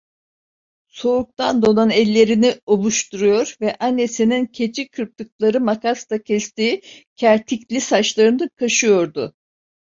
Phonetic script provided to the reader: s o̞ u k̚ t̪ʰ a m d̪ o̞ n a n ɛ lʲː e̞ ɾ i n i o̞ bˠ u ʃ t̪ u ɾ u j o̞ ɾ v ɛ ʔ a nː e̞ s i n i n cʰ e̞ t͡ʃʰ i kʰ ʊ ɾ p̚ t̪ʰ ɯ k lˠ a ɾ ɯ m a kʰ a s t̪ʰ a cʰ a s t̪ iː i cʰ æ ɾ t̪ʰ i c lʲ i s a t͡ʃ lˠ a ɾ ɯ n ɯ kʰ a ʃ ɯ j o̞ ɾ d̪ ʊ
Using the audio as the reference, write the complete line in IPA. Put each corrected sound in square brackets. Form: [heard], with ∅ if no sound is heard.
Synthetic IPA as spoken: s o̞ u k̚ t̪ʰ a [n] d̪ o̞ n a n ɛ lʲː e̞ ɾ i n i o̞ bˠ u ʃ t̪ u ɾ u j o̞ ɾ v ɛ ʔ a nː e̞ s i n i n cʰ e̞ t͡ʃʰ i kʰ [ɯ] ɾ p̚ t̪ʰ ɯ k lˠ a ɾ ɯ m a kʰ a s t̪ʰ a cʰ [ɛ] s t̪ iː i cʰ æ ɾ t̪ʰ i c lʲ i s a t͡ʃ lˠ a ɾ ɯ n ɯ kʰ a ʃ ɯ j o̞ ɾ d̪ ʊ